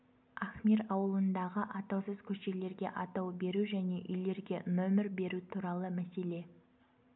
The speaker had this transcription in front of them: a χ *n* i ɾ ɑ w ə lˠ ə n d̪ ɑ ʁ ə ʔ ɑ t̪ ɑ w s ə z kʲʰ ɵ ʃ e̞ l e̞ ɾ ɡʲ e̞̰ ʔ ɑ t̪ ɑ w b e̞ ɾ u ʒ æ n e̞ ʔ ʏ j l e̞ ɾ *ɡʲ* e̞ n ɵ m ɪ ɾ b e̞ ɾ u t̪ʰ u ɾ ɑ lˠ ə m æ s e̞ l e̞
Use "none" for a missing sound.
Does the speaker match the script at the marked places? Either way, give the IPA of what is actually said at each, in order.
m, ɡʲ

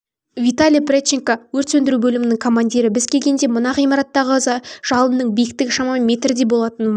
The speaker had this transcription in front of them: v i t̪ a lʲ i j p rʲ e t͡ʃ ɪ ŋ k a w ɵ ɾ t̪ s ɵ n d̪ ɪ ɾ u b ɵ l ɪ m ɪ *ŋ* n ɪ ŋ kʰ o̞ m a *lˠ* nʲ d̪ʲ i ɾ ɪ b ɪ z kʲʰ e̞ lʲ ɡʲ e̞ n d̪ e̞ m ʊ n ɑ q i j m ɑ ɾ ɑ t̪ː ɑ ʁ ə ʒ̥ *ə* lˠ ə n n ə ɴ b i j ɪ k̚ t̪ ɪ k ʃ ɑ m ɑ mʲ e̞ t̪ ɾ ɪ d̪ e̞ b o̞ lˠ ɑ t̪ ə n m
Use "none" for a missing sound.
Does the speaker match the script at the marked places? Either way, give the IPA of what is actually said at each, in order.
none, none, ɑ

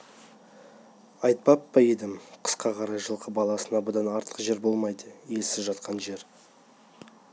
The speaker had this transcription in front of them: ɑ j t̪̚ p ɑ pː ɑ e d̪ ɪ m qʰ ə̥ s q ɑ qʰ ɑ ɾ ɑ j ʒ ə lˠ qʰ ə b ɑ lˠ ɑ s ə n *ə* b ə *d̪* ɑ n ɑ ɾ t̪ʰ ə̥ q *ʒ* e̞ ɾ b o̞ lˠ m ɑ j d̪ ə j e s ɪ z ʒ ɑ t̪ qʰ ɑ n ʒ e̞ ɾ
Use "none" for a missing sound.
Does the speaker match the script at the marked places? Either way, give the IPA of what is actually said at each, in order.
ɑ, d̪, ʒ

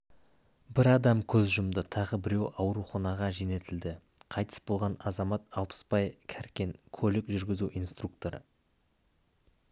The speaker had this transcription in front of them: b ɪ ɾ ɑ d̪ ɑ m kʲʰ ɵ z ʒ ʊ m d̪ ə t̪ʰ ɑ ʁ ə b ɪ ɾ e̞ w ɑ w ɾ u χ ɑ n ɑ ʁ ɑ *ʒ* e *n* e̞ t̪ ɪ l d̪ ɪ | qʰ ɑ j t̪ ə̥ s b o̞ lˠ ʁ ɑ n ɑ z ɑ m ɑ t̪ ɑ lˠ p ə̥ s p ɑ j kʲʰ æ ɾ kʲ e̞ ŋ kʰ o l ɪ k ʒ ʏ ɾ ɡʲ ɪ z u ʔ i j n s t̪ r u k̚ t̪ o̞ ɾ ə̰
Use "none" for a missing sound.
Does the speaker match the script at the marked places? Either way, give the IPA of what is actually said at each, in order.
ʒ, n

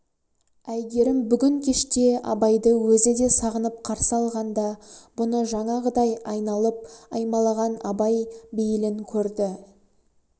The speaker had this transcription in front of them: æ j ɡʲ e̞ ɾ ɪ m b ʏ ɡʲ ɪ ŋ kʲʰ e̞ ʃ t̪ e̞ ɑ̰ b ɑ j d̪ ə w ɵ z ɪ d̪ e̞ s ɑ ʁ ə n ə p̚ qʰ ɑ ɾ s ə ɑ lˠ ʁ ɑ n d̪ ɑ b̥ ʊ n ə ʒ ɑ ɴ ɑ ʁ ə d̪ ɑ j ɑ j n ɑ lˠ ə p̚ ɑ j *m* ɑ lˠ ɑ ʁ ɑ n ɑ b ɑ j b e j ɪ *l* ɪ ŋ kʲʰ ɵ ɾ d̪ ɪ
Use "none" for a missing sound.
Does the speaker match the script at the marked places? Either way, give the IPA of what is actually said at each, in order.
m, l

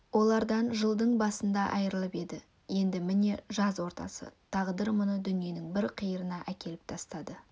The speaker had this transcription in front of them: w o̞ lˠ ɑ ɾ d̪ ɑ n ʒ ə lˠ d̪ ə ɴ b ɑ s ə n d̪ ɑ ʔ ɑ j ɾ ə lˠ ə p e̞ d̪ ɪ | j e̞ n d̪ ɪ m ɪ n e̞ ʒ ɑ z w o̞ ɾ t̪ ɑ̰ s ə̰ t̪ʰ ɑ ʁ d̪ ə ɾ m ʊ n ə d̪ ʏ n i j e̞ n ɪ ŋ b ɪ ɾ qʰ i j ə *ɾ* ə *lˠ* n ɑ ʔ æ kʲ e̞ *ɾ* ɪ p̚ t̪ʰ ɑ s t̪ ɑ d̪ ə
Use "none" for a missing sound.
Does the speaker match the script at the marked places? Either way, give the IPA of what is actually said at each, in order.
ɾ, none, l

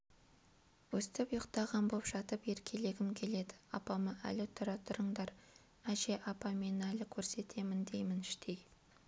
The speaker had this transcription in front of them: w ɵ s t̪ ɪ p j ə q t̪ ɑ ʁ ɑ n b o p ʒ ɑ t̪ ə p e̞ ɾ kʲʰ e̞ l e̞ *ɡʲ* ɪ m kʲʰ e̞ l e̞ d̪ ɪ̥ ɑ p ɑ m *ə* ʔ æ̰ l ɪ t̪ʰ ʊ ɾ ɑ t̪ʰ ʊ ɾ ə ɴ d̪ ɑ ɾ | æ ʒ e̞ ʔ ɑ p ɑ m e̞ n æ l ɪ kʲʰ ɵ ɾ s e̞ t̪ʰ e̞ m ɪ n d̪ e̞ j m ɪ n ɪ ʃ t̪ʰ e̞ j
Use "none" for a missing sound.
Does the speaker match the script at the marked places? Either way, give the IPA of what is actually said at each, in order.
ɡʲ, ə

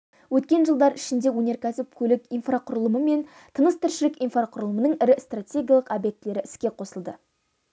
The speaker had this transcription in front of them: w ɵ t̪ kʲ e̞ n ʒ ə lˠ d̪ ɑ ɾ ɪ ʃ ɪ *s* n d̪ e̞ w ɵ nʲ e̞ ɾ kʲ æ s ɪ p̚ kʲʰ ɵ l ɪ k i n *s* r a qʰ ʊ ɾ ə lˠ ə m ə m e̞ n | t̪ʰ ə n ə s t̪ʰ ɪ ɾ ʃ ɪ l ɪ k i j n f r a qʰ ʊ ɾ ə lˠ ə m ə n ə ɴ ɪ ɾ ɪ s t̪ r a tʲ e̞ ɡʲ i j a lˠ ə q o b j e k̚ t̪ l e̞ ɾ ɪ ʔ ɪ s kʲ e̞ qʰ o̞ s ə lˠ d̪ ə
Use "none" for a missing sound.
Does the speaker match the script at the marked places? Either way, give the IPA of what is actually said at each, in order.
none, f

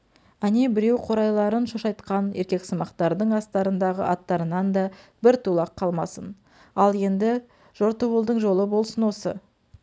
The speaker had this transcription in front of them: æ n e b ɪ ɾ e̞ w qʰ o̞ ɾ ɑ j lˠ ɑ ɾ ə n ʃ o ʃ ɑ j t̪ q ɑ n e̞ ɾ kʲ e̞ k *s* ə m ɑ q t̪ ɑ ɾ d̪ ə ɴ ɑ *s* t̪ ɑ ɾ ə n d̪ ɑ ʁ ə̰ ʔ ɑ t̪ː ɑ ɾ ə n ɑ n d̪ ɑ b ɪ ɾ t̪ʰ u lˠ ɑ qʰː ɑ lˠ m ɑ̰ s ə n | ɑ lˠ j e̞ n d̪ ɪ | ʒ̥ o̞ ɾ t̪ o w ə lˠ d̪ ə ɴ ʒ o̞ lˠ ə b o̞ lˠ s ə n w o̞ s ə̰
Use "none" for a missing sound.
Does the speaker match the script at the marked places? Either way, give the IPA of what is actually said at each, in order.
s, s

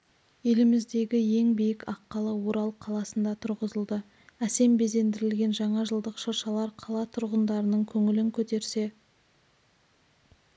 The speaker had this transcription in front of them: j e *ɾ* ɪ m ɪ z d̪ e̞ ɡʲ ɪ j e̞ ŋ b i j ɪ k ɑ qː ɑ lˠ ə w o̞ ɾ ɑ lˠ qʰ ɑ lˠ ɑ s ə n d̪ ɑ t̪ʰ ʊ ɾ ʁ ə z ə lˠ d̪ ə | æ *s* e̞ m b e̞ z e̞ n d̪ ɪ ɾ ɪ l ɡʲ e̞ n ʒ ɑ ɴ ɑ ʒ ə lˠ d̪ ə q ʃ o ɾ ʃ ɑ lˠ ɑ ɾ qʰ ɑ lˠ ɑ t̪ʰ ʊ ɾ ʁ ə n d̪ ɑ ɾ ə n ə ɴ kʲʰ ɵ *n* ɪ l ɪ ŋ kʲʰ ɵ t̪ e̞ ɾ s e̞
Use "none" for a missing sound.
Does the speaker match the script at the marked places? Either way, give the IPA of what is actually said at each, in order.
l, s, ŋ

